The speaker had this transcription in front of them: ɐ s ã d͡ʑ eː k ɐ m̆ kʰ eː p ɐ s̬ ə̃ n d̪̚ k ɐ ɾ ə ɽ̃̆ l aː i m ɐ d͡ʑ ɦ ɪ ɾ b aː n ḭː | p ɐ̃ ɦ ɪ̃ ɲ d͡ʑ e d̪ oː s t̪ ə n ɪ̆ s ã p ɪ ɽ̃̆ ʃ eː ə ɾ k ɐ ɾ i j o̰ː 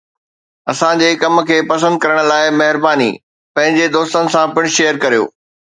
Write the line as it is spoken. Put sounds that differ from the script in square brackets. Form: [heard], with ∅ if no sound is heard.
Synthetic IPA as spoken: ɐ s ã d͡ʑ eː k ɐ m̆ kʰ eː p ɐ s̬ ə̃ n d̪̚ k ɐ ɾ ə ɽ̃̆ l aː [ɪ] m ɐ [∅] ɦ ɪ ɾ b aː n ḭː | p ɐ̃ ɦ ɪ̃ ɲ d͡ʑ e d̪ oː s t̪ ə n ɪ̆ s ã p ɪ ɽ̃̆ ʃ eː ə ɾ k ɐ ɾ i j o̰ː